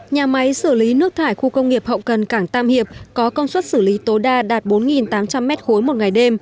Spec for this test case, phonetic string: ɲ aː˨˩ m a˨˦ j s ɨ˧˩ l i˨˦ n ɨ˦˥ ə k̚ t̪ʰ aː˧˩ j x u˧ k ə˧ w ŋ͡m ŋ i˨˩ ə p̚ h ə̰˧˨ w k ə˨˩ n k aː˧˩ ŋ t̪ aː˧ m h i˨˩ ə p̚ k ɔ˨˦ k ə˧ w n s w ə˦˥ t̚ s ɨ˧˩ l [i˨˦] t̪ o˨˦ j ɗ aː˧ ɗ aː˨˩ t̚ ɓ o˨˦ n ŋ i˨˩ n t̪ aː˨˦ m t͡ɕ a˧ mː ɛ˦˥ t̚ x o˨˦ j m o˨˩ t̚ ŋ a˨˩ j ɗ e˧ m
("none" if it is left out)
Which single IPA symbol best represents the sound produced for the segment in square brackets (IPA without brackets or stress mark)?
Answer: i˨˦